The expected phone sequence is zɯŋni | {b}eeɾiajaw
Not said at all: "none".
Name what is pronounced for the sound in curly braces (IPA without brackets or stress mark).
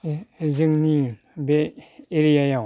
b